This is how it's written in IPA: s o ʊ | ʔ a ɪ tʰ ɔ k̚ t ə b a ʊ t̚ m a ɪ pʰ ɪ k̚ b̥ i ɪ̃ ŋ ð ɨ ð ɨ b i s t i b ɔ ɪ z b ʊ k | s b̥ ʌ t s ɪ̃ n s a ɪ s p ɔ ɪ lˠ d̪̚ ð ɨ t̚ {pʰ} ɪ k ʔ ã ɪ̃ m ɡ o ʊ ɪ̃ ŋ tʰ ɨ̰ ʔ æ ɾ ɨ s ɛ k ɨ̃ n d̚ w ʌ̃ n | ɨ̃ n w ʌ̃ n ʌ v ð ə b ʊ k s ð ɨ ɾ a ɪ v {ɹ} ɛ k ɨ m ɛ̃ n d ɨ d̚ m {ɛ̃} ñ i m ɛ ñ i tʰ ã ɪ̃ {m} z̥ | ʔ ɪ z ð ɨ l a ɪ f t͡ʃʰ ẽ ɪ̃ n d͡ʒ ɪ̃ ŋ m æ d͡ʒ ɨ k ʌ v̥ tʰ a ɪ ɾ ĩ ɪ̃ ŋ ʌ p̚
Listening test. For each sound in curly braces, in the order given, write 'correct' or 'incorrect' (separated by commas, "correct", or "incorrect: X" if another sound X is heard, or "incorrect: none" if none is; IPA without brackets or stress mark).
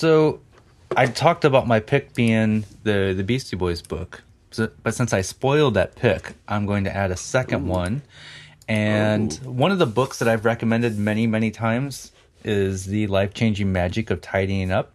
correct, correct, incorrect: ɛ, correct